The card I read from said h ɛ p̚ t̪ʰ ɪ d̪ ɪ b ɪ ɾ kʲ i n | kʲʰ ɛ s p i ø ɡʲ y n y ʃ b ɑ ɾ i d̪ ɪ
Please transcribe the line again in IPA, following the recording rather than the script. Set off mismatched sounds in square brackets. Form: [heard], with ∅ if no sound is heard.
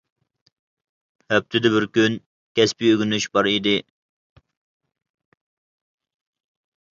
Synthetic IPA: h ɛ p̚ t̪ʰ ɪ d̪ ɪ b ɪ ɾ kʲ [y] n | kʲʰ ɛ s p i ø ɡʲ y n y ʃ b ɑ ɾ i d̪ ɪ

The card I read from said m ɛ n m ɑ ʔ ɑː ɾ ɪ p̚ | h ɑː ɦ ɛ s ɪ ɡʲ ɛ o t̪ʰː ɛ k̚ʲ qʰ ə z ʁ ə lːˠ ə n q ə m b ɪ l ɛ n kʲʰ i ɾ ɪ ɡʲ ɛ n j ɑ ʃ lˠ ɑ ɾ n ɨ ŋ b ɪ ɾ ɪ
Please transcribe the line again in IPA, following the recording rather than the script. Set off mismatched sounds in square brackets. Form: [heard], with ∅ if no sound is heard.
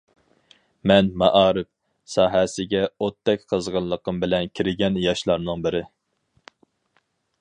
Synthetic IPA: m ɛ n m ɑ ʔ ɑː ɾ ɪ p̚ | [s] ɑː ɦ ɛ s ɪ ɡʲ ɛ o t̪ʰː ɛ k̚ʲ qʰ ə z ʁ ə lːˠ ə [∅] q ə m b ɪ l ɛ n kʲʰ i ɾ ɪ ɡʲ ɛ n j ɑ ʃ lˠ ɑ ɾ n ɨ ŋ b ɪ ɾ ɪ

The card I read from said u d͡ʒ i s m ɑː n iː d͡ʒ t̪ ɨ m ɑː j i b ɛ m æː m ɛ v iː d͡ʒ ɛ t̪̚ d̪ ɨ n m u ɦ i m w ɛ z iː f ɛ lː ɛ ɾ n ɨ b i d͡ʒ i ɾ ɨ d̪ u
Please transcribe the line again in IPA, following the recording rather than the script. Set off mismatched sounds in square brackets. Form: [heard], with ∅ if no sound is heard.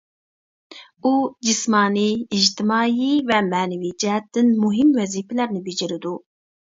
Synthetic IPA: u d͡ʒ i s m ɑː n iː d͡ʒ t̪ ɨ m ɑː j i [v] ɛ m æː [n] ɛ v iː d͡ʒ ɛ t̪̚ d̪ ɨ n m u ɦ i m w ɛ z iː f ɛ [l] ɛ ɾ n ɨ b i d͡ʒ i ɾ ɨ d̪ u

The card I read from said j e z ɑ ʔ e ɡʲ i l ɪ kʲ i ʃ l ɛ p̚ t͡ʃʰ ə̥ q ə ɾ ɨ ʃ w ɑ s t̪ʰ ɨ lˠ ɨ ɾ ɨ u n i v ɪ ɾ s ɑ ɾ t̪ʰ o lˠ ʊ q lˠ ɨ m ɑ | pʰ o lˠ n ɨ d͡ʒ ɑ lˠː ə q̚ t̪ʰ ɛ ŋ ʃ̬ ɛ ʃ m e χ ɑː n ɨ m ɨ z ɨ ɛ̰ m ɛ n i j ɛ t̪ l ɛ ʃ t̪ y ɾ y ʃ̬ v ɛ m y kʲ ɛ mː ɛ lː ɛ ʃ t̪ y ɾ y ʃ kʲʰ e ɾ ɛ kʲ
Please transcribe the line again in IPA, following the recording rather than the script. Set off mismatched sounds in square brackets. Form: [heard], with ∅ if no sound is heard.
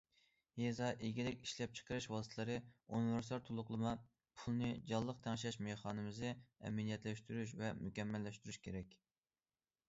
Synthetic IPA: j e z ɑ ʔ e ɡʲ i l ɪ kʲ i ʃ l ɛ p̚ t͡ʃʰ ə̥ q ə ɾ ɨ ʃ w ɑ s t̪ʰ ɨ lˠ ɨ ɾ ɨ u n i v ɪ ɾ s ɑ ɾ t̪ʰ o lˠ ʊ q lˠ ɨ m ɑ | pʰ [u] lˠ n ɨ d͡ʒ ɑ lˠː ə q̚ t̪ʰ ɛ ŋ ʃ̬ ɛ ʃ m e χ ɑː n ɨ m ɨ z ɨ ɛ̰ m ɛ n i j ɛ t̪ l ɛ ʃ t̪ y ɾ y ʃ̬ v ɛ m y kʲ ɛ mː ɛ lː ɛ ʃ t̪ y ɾ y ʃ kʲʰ e ɾ ɛ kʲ

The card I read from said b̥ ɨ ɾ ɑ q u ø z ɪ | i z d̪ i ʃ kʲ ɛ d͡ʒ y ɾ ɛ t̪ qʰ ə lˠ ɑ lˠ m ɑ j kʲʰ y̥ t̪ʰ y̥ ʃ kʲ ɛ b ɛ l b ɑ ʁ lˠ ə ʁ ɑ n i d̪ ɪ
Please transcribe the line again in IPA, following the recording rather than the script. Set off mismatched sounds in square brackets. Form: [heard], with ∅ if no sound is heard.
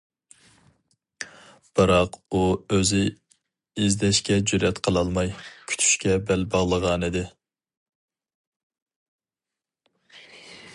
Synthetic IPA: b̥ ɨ ɾ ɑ q u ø z ɪ | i z d̪ [ɛ] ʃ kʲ ɛ d͡ʒ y ɾ ɛ t̪ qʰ ə lˠ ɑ lˠ m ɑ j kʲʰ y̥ t̪ʰ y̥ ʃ kʲ ɛ b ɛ l b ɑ ʁ lˠ ə ʁ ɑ n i d̪ ɪ

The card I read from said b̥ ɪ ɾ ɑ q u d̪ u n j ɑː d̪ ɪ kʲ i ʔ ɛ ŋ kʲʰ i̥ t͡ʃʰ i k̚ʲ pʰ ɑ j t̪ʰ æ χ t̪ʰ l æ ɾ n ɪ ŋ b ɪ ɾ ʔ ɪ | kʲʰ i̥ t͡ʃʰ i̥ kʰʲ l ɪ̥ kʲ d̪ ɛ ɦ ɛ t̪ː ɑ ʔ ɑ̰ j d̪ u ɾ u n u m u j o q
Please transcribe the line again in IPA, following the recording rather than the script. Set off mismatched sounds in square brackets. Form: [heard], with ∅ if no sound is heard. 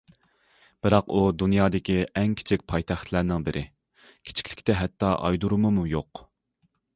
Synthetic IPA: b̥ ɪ ɾ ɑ q u d̪ u n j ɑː d̪ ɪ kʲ i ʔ ɛ ŋ kʲʰ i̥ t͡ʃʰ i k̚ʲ pʰ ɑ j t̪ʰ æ χ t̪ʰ l æ ɾ n ɪ ŋ b ɪ ɾ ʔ ɪ | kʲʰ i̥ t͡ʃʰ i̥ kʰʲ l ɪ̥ kʲ [t̪] ɛ ɦ ɛ t̪ː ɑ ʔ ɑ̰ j d̪ u ɾ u [m] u m u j o q

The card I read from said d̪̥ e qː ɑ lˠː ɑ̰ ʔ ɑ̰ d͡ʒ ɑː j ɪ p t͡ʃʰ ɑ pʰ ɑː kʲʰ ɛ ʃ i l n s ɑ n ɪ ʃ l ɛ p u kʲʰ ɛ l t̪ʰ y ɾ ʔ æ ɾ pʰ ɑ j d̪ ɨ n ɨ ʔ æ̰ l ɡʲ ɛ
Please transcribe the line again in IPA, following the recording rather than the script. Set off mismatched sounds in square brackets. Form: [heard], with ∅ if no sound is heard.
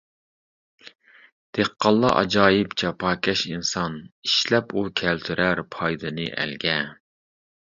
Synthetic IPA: d̪̥ e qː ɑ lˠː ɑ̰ ʔ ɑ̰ d͡ʒ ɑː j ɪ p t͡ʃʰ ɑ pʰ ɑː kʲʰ ɛ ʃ i [∅] n s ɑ n [i] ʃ l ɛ p u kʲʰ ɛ l t̪ʰ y ɾ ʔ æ ɾ pʰ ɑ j d̪ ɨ n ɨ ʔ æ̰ l ɡʲ ɛ

